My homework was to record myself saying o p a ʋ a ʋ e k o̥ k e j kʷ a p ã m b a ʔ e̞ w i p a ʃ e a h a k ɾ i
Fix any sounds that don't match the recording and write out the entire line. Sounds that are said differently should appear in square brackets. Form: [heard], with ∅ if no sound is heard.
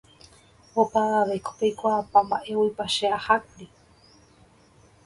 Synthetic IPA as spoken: o p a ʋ a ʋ e k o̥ [p] e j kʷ a p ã m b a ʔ e̞ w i p a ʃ e a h a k ɾ i

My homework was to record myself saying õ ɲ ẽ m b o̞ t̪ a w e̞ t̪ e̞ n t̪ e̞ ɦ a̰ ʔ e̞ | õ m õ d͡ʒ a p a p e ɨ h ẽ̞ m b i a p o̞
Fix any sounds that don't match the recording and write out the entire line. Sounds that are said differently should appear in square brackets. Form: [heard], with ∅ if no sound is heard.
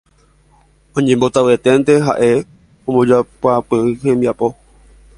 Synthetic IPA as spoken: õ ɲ ẽ m b o̞ t̪ a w e̞ t̪ e̞ n t̪ e̞ ɦ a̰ ʔ e̞ | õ m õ d͡ʒ a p a p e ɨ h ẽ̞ m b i a p o̞

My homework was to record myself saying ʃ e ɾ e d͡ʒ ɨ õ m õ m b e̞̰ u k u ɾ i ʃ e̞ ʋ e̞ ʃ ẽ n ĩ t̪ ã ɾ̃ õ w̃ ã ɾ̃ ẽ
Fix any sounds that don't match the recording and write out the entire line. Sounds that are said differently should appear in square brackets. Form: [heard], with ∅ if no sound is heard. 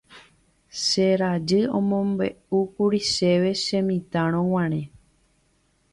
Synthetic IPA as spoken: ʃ e ɾ [a] d͡ʒ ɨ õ m õ m b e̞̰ u k u ɾ i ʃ e̞ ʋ e̞ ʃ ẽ [m] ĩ t̪ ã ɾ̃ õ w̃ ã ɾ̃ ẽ

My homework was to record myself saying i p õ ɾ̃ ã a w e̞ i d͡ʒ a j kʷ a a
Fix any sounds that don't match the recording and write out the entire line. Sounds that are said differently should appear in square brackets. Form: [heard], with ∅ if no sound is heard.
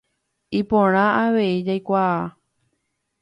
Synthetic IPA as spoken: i p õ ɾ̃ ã a [ʋ] e̞ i d͡ʒ a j kʷ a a

